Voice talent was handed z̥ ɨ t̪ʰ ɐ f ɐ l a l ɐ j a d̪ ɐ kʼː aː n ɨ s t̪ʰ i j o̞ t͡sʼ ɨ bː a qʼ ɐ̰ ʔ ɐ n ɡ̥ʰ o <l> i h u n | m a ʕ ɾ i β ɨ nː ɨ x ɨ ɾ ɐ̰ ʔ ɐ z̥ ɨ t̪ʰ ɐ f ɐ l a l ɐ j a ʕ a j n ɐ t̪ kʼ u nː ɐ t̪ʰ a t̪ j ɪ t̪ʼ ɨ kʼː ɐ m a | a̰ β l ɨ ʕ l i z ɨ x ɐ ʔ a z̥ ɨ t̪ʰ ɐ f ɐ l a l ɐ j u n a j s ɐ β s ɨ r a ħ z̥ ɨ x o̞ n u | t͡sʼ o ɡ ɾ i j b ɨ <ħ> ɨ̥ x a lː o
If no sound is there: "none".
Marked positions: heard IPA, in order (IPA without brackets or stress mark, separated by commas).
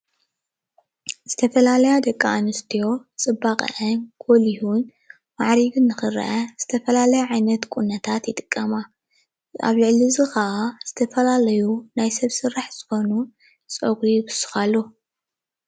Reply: l, s